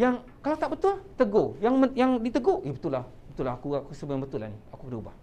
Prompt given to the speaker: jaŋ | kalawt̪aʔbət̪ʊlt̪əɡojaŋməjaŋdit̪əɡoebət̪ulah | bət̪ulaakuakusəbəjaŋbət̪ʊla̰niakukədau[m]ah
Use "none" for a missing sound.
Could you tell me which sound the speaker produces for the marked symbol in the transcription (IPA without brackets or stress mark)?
b